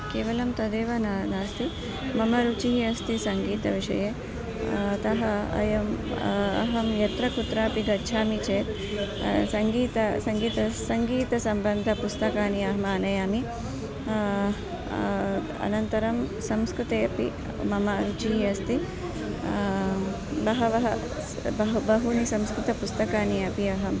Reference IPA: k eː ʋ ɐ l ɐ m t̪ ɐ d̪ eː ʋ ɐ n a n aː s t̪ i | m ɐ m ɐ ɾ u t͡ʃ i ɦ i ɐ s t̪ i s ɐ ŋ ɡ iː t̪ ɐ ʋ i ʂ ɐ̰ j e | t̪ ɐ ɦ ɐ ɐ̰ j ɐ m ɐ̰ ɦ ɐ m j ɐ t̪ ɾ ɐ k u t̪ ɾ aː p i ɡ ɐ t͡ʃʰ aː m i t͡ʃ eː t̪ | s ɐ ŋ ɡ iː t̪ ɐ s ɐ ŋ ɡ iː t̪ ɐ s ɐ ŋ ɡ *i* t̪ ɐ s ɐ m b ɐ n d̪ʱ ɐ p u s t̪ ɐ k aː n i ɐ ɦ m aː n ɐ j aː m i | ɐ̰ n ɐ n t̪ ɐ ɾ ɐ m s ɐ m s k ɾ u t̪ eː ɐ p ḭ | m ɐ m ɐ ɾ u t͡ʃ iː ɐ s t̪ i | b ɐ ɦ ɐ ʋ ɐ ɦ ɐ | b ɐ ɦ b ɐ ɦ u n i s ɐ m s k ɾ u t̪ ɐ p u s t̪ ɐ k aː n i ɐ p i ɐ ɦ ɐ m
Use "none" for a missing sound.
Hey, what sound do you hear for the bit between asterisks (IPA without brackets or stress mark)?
iː